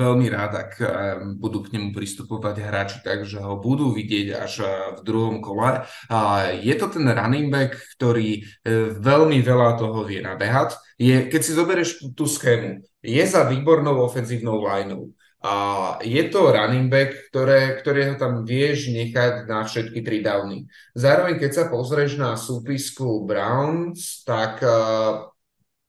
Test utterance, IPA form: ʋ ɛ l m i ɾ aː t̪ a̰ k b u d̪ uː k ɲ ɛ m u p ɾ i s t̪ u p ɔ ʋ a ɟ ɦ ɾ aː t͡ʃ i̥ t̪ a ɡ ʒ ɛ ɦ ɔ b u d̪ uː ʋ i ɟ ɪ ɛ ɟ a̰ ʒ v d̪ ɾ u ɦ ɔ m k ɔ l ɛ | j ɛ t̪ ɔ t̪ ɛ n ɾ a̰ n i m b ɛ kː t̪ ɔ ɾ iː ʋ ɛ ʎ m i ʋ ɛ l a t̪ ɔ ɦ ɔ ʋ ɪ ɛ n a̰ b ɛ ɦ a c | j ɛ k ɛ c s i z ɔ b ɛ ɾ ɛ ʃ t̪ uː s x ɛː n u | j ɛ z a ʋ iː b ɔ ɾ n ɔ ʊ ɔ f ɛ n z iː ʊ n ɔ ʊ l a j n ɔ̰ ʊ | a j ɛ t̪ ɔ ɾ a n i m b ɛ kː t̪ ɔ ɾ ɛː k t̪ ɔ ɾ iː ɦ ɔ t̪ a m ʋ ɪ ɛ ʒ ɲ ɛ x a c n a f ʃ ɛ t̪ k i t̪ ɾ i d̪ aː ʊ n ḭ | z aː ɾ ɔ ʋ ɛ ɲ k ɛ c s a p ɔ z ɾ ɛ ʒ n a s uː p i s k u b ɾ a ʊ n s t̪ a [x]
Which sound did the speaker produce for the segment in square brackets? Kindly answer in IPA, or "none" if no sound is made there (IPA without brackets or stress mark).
k